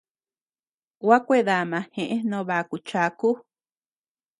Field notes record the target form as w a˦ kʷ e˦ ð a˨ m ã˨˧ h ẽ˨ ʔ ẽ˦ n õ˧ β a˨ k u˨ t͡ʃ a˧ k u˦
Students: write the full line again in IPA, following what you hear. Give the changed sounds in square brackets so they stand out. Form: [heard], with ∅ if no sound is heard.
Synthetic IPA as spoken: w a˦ kʷ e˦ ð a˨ m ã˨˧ h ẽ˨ ʔ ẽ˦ n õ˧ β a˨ k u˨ t͡ʃ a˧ k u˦